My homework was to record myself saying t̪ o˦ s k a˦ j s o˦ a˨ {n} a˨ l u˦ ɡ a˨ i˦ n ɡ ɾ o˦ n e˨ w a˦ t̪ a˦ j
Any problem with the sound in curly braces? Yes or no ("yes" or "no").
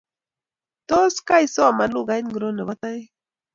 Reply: yes